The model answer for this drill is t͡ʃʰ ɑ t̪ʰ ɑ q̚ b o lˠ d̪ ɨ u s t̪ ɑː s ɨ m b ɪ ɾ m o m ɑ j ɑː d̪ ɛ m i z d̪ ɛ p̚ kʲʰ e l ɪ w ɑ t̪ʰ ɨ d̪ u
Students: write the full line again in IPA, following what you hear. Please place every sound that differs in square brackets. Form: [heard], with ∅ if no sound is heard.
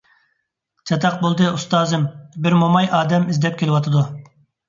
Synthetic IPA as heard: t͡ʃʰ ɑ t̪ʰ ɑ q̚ b o lˠ d̪ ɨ u s t̪ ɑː [z] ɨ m b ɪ ɾ m o m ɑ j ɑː d̪ ɛ m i z d̪ ɛ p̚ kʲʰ e l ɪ w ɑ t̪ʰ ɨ d̪ u